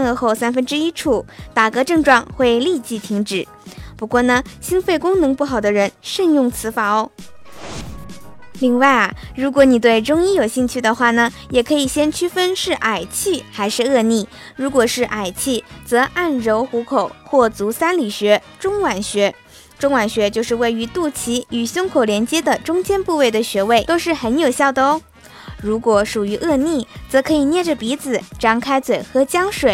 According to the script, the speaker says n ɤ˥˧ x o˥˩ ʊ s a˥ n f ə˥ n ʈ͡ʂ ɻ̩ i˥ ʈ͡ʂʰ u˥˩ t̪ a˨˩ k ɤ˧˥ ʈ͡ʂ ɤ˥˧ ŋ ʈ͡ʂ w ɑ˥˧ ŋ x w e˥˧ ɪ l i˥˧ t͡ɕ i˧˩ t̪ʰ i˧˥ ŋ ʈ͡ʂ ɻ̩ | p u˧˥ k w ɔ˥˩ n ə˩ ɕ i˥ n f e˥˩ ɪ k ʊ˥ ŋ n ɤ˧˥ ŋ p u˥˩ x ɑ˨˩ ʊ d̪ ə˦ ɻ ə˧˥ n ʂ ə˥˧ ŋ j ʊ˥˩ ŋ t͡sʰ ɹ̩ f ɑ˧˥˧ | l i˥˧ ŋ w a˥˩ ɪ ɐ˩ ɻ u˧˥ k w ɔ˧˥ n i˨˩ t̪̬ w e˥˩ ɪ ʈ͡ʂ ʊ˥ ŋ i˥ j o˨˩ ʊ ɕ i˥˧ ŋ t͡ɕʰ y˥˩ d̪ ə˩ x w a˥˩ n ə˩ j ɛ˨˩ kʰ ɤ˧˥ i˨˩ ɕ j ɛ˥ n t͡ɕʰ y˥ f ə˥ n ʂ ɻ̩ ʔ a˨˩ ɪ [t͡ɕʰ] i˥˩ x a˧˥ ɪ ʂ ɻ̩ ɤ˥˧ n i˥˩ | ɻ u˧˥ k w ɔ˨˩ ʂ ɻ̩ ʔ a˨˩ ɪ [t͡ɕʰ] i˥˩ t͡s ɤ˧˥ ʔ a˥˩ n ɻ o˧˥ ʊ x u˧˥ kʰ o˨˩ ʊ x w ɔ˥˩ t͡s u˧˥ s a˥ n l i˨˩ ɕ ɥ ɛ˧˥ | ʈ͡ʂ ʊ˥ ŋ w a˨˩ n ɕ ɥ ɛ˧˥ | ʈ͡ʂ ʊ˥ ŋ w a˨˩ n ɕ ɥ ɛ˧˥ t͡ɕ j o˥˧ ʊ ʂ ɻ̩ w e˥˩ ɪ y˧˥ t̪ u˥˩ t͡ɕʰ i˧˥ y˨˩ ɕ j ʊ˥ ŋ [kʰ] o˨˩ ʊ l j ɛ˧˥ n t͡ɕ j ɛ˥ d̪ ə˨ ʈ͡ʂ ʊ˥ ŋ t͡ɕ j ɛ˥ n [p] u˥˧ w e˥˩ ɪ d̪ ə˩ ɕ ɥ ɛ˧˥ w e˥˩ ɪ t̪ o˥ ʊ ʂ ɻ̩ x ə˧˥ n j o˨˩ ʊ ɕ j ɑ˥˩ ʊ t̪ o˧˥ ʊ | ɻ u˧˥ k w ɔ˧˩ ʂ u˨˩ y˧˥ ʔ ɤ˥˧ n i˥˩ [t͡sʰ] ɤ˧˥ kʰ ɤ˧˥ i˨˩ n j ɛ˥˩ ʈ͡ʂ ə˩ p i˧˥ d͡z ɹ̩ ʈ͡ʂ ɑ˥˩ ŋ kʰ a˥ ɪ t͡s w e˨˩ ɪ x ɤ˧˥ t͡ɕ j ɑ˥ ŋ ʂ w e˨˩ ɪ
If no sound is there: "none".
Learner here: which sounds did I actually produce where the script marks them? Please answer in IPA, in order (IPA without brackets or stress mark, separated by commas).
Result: t͡ɕʰ, t͡ɕʰ, kʰ, p, t͡s